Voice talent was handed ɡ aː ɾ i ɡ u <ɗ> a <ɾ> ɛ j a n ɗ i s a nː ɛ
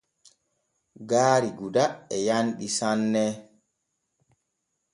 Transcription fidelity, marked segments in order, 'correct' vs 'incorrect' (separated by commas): incorrect, incorrect